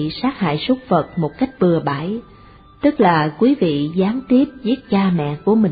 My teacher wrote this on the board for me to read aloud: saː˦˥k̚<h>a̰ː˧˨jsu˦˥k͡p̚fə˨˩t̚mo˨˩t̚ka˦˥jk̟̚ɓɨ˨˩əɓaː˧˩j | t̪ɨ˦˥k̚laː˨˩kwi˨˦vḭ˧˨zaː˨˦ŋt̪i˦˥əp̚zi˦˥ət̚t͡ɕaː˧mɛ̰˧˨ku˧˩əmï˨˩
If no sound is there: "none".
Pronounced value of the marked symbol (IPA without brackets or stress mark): h